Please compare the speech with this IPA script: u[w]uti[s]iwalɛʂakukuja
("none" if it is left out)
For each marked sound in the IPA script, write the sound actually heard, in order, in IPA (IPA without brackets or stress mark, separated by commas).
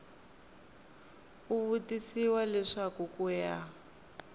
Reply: β, s